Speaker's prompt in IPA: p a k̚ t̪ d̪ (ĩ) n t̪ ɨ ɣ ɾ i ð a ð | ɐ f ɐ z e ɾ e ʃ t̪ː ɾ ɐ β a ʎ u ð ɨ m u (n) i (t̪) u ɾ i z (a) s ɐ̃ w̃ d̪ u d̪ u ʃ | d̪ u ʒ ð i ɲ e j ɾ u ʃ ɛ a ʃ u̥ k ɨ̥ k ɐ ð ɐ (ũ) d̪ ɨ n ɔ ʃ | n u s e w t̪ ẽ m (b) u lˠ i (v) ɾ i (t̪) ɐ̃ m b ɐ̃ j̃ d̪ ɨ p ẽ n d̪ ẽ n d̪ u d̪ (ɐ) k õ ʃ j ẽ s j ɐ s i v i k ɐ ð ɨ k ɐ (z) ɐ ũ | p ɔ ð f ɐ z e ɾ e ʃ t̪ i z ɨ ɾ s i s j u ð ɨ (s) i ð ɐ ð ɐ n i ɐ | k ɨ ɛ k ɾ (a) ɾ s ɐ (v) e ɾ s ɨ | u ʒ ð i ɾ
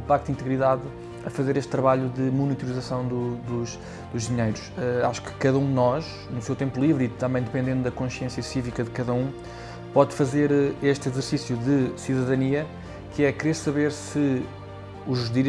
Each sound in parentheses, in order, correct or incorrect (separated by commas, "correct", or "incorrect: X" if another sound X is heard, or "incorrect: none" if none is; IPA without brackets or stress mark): correct, correct, correct, incorrect: ɐ, correct, incorrect: p, correct, correct, correct, incorrect: ð, correct, incorrect: e, incorrect: β